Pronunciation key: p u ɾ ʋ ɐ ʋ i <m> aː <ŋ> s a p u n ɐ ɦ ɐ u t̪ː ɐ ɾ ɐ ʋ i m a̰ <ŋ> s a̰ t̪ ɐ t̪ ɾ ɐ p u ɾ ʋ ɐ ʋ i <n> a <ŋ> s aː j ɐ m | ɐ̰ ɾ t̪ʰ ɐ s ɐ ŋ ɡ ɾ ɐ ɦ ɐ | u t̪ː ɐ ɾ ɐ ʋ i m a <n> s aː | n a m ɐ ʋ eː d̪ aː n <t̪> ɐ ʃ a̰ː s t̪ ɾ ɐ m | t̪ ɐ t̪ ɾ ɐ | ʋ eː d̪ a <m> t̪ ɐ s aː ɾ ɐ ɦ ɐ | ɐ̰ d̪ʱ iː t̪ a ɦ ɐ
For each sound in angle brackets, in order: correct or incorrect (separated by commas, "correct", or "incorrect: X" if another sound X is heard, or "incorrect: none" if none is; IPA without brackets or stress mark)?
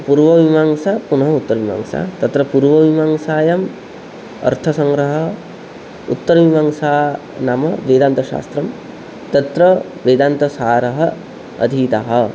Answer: correct, correct, correct, incorrect: m, correct, incorrect: ŋ, correct, incorrect: n